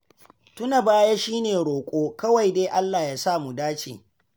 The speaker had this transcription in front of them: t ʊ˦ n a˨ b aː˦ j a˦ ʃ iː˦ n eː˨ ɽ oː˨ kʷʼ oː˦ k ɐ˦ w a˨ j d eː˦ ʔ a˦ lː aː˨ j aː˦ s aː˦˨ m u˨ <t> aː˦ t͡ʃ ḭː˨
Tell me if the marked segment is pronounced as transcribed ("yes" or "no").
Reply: no